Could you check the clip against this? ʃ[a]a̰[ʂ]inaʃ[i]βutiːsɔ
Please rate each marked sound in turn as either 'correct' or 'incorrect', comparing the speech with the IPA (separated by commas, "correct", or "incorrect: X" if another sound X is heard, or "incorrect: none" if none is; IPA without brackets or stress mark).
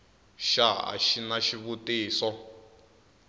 correct, incorrect: ʃ, correct